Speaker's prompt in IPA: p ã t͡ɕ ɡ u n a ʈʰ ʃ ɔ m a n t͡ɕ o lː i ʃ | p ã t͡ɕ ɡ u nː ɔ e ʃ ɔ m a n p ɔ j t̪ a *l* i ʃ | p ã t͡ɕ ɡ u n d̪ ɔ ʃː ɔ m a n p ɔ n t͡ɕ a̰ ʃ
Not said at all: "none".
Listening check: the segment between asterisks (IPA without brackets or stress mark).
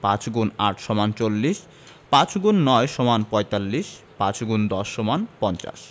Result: lː